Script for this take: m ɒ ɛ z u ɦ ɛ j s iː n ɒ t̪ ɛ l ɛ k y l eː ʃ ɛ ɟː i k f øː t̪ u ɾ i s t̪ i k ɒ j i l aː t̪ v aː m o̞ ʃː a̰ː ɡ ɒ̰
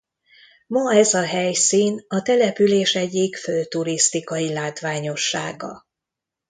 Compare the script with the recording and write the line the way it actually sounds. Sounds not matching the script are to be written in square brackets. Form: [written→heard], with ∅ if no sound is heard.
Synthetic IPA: m ɒ ɛ z [u→ɒ] ɦ ɛ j s iː n ɒ t̪ ɛ l ɛ [k→p] y l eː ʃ ɛ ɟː i k f øː t̪ u ɾ i s t̪ i k ɒ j i l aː t̪ [v→ʋ] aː [m→ɲ] o̞ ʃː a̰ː ɡ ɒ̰